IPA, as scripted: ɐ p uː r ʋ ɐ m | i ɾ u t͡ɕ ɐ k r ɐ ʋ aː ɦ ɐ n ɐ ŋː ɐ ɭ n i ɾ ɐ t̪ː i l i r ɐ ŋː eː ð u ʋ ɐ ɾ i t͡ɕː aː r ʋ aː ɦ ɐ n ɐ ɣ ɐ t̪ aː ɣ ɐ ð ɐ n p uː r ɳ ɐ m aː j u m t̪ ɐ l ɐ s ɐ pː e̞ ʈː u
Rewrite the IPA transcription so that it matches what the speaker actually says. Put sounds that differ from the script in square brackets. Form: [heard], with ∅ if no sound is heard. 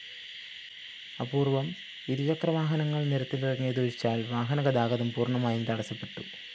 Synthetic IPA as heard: ɐ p uː r ʋ ɐ m | i ɾ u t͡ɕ ɐ k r ɐ ʋ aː ɦ ɐ n ɐ ŋː ɐ ɭ n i ɾ ɐ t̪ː i l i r ɐ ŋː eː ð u ʋ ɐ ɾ i t͡ɕː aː [l] ʋ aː ɦ ɐ n ɐ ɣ ɐ [d̪] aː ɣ ɐ ð ɐ [m] p uː r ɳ ɐ m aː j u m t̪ ɐ [ɽ] ɐ s ɐ pː e̞ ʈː u